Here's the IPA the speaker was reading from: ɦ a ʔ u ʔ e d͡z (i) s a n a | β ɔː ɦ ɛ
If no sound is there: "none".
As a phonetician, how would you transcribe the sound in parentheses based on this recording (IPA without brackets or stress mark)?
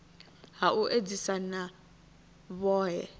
i